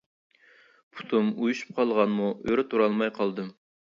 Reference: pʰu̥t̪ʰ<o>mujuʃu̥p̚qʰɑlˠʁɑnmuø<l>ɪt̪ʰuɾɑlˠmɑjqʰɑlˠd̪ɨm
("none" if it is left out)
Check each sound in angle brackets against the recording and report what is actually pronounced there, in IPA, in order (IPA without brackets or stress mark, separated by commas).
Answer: u, ɾ